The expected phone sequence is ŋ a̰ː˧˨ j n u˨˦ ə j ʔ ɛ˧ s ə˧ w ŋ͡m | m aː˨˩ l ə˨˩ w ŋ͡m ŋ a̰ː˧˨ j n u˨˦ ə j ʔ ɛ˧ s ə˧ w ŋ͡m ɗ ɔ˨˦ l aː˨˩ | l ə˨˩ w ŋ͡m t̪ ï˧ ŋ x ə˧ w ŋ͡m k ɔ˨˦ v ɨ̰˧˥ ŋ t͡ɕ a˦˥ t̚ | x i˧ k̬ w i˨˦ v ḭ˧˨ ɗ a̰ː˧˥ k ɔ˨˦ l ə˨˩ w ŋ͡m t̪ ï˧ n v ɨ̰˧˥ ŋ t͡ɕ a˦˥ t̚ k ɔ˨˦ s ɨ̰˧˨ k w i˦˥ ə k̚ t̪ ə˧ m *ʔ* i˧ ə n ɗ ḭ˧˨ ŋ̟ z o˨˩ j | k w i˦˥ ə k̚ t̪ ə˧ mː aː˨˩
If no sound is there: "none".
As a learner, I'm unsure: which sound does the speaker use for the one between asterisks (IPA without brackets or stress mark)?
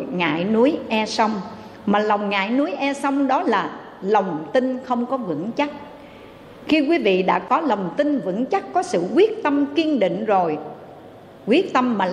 k